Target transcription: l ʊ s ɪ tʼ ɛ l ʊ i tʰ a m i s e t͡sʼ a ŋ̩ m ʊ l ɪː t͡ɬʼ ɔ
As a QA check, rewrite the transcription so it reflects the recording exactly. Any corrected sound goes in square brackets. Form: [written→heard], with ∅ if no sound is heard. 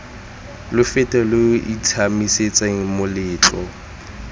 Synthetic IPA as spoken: l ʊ [s→f] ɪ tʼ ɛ l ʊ i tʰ a m i s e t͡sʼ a ŋ̩ m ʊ l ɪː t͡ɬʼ ɔ